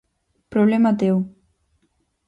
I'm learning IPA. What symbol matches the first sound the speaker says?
p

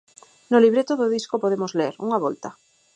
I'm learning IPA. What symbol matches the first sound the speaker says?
n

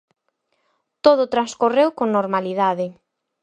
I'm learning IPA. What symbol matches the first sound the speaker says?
t̪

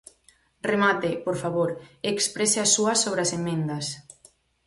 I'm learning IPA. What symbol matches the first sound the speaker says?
r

